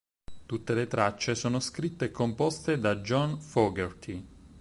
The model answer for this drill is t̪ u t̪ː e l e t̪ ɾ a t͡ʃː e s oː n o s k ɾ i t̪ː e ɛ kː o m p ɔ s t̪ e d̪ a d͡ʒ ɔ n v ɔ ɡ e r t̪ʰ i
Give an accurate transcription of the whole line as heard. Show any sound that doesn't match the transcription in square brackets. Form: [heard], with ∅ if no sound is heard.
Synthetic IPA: t̪ u t̪ː e l e t̪ ɾ a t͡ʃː e s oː n o s k ɾ i t̪ː e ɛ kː o m p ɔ s t̪ e d̪ a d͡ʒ ɔ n [f] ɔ ɡ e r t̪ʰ i